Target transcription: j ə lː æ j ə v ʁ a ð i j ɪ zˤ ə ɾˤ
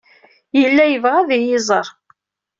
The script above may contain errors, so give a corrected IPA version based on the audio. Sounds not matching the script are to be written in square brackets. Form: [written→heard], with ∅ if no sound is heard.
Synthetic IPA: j ə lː æ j ə v ʁ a ð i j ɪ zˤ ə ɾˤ